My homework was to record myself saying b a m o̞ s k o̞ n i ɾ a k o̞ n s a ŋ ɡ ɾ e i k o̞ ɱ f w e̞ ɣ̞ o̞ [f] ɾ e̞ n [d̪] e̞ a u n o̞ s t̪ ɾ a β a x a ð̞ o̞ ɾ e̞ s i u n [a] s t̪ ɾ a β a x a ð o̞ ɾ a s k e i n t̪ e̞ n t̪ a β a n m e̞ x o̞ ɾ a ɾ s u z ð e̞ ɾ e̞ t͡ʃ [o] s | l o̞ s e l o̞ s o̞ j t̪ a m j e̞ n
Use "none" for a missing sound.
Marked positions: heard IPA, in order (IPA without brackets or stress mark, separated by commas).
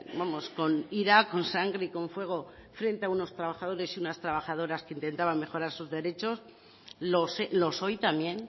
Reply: f, t̪, a, o